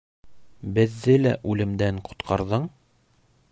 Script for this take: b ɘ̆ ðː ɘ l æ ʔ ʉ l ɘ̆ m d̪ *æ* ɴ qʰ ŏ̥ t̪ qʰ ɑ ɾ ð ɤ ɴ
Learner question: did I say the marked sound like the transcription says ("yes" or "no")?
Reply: yes